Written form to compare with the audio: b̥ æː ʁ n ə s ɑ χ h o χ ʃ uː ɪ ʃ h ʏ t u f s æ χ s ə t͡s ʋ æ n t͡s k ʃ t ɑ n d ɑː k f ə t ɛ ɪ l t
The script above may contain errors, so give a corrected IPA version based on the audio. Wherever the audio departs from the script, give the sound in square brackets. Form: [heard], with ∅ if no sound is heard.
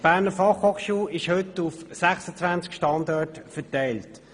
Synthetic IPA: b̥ æː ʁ n ə [f] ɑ χ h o χ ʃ uː ɪ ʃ h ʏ t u f s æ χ s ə t͡s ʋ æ n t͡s k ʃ t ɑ n d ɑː [t] f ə t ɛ ɪ l t

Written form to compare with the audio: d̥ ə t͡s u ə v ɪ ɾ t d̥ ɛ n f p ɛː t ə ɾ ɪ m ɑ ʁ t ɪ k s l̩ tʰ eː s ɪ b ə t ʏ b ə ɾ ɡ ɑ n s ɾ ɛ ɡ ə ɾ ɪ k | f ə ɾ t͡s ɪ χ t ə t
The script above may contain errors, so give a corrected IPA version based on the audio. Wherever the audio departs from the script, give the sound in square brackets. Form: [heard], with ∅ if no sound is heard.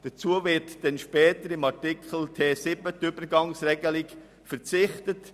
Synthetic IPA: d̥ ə t͡s u ə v ɪ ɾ t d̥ ɛ n [ʃ] p ɛː t ə ɾ ɪ m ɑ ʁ t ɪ k [χ] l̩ tʰ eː s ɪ b ə t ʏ b ə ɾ ɡ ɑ [ŋ] s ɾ ɛ ɡ ə [l] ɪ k | f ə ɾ t͡s ɪ χ t ə t

